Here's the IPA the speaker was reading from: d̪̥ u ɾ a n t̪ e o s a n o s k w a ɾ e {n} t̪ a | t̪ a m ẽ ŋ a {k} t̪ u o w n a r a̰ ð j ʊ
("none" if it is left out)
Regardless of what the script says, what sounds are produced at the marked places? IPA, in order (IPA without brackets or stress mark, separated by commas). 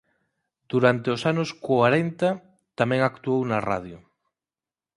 n, k